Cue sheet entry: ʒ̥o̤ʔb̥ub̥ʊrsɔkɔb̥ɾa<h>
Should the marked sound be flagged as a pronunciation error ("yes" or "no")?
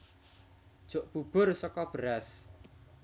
yes